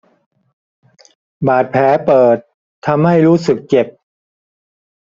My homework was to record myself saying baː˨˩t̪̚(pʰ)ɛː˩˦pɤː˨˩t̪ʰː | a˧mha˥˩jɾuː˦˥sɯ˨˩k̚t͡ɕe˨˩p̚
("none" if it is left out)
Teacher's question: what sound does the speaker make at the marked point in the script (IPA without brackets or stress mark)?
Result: pʰ